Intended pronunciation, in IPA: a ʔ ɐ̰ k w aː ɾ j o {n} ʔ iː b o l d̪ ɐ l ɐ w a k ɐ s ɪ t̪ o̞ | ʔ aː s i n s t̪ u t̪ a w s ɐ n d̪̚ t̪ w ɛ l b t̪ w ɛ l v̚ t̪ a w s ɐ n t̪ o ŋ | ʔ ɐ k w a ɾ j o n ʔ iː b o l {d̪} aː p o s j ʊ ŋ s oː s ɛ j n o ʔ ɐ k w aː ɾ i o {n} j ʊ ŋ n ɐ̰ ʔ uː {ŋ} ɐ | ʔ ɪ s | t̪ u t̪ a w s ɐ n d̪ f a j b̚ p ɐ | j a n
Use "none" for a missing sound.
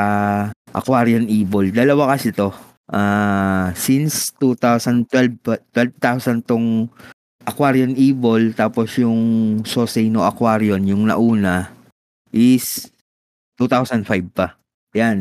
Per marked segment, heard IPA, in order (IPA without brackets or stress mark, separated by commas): n, t̪, n, n